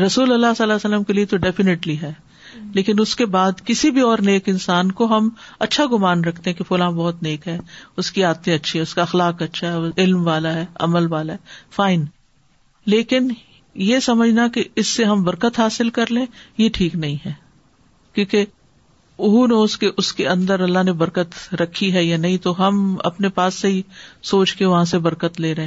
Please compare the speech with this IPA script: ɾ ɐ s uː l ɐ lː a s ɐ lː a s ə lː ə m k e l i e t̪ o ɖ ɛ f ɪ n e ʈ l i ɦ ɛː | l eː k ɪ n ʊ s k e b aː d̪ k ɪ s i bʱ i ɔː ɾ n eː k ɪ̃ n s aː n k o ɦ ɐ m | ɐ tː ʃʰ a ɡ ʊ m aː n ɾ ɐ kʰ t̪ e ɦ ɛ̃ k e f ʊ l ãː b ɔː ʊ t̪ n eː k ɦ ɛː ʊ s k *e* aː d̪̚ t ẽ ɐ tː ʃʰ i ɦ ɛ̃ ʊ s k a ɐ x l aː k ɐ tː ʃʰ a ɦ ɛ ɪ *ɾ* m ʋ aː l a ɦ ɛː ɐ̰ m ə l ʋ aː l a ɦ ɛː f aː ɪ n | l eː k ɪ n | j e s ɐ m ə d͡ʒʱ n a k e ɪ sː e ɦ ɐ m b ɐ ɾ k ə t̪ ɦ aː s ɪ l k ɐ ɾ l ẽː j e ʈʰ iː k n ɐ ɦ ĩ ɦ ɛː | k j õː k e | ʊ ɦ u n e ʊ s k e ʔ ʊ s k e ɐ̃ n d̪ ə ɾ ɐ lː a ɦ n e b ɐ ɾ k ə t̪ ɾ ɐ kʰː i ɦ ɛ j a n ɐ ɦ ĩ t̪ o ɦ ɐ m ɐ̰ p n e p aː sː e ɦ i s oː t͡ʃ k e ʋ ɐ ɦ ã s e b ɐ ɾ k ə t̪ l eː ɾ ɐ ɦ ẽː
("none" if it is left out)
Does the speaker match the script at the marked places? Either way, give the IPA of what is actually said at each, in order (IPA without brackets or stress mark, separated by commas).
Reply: i, l